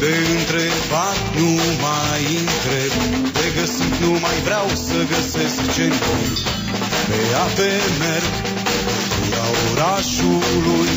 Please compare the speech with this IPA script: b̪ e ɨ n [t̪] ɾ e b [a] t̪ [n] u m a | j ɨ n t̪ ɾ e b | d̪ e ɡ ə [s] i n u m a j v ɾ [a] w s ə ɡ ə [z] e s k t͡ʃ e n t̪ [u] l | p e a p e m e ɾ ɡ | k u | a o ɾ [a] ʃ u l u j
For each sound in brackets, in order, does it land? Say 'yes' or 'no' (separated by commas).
yes, yes, yes, yes, yes, no, yes, yes